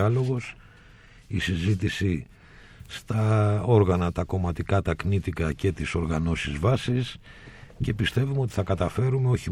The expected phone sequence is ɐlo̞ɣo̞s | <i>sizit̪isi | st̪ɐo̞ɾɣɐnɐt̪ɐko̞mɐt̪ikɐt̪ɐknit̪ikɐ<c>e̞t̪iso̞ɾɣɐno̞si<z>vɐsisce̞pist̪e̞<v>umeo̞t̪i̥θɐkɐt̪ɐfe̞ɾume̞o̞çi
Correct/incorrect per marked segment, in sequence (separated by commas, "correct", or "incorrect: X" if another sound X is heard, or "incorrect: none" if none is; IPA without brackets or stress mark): correct, correct, correct, correct